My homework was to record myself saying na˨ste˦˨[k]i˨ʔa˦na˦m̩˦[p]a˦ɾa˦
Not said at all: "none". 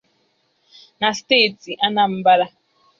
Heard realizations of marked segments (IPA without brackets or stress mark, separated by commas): t, b